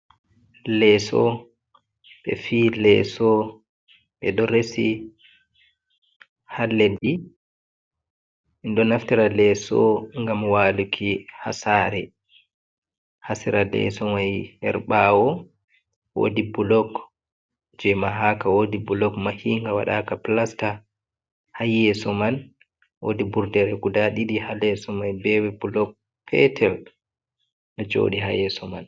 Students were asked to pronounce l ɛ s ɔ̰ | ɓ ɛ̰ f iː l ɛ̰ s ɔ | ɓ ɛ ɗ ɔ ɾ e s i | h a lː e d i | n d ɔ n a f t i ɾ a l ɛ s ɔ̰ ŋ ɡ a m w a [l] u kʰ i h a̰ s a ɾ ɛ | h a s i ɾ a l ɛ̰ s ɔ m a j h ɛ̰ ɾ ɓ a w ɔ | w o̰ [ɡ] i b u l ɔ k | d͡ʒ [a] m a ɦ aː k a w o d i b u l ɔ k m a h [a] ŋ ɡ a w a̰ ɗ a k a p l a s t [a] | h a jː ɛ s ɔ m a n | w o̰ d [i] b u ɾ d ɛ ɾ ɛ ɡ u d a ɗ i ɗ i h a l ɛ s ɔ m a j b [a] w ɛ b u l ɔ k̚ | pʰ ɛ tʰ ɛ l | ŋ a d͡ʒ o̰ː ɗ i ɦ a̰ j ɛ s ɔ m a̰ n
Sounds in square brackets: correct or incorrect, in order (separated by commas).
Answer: correct, incorrect, incorrect, incorrect, correct, correct, incorrect